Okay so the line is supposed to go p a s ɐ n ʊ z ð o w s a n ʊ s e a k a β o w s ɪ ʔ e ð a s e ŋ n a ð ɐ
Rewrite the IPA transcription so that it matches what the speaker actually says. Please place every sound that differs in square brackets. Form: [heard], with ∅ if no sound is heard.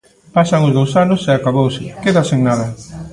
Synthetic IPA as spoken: p a s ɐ [ŋ] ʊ z ð o w s a n ʊ s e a k a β o w s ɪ [k] e ð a s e ŋ n a ð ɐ